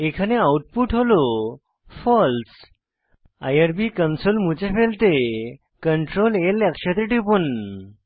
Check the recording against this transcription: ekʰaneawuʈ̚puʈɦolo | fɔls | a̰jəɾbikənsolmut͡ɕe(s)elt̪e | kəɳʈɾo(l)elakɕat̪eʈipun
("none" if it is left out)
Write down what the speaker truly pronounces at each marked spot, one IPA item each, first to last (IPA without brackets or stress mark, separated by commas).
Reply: f, l